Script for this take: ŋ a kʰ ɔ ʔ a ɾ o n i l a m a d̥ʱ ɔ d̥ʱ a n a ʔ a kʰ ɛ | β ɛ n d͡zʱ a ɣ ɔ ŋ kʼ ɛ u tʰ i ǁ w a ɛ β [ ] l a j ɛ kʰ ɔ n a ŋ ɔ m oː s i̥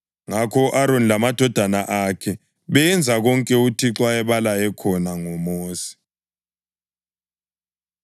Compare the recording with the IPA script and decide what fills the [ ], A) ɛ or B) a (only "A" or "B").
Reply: B